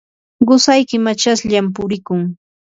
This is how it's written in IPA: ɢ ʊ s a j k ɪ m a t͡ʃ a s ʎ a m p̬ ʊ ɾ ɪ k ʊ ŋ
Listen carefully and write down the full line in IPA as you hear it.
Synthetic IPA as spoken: ɢ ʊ s a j k ɪ m a t͡ʃ a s ʎ a m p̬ ʊ ɾ ɪ k ʊ ŋ